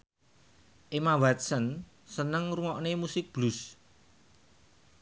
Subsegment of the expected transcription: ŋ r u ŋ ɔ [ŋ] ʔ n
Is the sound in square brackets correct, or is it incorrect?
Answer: incorrect